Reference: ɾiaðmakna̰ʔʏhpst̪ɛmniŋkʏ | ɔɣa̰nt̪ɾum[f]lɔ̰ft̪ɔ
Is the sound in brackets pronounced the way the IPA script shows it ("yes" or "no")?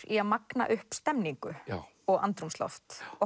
no